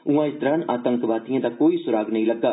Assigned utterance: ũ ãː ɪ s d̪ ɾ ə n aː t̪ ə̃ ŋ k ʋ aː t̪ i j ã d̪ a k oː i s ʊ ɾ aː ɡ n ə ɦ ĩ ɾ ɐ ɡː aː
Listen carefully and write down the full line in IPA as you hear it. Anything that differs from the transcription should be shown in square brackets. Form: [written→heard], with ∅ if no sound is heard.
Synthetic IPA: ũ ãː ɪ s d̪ ɾ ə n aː t̪ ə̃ ŋ k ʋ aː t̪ i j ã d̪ a k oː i s ʊ ɾ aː ɡ n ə ɦ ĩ [ɾ→l] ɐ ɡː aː